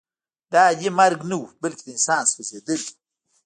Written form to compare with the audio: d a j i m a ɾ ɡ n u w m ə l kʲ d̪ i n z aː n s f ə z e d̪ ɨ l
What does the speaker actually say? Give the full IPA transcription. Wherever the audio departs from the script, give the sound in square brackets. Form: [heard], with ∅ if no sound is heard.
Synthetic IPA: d a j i m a ɾ ɡ n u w [b] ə l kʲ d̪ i n [s] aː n s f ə z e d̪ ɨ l